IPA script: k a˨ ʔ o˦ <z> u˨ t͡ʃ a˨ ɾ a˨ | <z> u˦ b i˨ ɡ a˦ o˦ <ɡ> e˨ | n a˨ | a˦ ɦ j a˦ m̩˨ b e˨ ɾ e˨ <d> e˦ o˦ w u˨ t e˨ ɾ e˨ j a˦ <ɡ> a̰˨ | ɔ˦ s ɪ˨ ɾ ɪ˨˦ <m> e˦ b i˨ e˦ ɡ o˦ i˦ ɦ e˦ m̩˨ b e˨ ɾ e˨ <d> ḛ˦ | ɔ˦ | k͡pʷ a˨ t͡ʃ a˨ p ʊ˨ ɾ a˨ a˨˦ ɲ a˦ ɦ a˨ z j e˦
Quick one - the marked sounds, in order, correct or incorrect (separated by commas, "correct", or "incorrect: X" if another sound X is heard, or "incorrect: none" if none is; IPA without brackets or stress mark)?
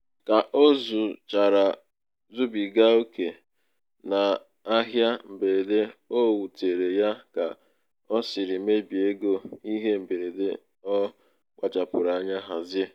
correct, correct, incorrect: k, correct, incorrect: k, correct, correct